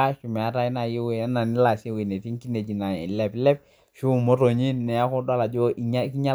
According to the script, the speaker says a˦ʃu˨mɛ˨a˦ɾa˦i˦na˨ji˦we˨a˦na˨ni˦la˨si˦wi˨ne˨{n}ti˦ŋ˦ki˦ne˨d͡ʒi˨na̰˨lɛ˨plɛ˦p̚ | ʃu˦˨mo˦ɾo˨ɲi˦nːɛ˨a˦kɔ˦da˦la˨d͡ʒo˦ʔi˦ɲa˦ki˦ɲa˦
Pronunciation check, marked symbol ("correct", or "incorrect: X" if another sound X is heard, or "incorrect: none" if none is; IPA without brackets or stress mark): incorrect: none